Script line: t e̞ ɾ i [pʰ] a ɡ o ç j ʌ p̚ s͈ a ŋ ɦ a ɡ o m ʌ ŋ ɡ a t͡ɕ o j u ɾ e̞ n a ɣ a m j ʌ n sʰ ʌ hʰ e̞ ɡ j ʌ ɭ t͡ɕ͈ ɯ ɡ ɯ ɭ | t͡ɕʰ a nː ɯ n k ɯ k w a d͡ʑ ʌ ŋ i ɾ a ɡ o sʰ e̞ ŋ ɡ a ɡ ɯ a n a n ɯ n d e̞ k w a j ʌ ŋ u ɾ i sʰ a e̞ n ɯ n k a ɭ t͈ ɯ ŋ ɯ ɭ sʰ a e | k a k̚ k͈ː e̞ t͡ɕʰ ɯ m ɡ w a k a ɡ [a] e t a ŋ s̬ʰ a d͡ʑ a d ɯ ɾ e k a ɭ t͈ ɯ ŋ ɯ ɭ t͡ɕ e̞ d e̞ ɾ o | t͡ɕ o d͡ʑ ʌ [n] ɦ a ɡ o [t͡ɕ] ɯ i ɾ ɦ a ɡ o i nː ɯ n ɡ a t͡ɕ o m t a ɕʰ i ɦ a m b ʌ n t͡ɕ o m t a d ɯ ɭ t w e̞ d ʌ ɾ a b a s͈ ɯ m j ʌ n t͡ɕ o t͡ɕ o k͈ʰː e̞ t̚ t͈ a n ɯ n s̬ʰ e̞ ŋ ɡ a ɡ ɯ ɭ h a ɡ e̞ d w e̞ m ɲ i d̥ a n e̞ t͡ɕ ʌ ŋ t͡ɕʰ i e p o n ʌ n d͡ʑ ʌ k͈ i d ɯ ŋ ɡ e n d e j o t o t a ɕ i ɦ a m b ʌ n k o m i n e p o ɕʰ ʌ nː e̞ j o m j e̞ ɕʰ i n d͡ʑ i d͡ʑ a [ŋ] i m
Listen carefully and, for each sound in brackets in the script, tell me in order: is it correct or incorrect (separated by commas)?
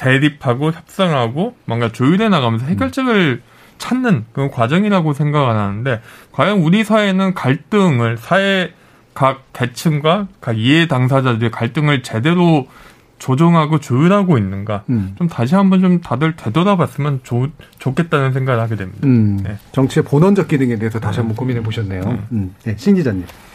correct, incorrect, incorrect, correct, incorrect